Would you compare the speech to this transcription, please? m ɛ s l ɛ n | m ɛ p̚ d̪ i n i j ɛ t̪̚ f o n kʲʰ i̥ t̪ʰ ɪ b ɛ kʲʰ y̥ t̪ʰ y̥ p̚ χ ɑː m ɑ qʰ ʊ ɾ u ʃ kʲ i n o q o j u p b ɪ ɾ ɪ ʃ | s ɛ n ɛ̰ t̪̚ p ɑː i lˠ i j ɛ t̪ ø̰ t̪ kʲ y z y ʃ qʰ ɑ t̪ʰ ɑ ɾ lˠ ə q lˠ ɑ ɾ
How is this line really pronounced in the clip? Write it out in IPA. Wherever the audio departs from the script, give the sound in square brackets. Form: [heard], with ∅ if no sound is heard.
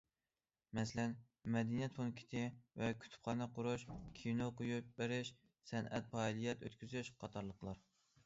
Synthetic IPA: m ɛ s l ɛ n | m ɛ [∅] d̪ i n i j ɛ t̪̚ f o n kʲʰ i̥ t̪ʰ ɪ [v] ɛ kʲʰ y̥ t̪ʰ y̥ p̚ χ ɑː [n] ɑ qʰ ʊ ɾ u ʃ [kʲʰ] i n o q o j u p b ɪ ɾ ɪ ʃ | s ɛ n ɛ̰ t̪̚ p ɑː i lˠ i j ɛ t̪ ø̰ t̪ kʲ y z y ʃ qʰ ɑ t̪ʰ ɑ ɾ lˠ ə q lˠ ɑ ɾ